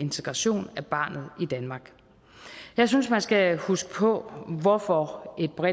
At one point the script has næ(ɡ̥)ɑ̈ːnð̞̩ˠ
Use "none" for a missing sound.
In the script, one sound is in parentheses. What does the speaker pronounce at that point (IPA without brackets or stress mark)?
b̥